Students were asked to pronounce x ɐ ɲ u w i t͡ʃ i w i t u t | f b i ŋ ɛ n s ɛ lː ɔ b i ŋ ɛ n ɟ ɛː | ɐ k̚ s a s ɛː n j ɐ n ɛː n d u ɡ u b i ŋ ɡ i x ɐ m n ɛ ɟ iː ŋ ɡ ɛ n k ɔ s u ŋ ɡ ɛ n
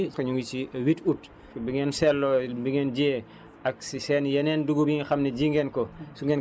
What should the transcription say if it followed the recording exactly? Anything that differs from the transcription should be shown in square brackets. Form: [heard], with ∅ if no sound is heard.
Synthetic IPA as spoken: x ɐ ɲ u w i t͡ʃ i w i t u t | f b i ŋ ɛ n s ɛ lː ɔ b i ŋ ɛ n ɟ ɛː | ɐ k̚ s [i] s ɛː n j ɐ n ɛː n d u ɡ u b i ŋ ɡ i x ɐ m n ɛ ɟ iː ŋ ɡ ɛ n k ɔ s u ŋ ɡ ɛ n